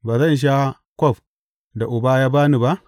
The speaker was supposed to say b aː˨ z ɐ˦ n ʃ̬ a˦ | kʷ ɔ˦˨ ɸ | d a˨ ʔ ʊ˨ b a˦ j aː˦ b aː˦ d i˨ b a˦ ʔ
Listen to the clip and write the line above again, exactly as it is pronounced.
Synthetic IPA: b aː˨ z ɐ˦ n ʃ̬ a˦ | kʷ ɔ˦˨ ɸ | d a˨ ʔ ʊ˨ b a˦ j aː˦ b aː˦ n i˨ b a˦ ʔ